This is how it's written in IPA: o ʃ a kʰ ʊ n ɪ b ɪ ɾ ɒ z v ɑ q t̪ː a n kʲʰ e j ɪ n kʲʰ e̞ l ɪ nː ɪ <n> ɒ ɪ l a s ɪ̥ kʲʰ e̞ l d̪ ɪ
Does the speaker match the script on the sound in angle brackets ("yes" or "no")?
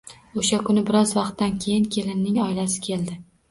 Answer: no